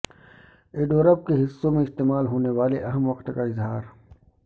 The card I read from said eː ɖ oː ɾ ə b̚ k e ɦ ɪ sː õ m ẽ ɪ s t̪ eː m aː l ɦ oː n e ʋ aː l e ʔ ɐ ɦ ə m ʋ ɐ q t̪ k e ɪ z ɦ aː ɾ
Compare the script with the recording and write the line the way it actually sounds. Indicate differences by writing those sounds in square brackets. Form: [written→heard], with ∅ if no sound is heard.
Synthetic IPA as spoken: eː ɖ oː ɾ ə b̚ k e ɦ ɪ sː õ m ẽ ɪ s t̪ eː m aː l ɦ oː n e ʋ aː l e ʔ ɐ ɦ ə m ʋ ɐ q t̪ k [e→a] ɪ z ɦ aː ɾ